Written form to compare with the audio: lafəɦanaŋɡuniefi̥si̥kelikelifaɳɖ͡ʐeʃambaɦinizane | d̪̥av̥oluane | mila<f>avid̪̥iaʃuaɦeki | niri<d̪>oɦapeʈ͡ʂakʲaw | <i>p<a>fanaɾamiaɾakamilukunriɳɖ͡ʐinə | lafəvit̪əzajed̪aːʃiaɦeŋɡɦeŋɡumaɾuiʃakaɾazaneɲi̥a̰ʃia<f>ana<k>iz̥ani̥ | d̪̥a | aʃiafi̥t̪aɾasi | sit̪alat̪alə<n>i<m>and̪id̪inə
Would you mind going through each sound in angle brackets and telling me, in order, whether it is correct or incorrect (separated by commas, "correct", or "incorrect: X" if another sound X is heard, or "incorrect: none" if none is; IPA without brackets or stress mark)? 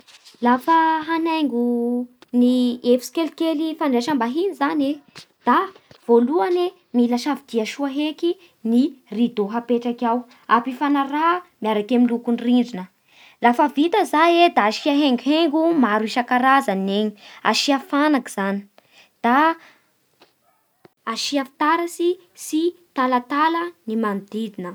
incorrect: ʃ, correct, incorrect: a, incorrect: i, correct, correct, correct, correct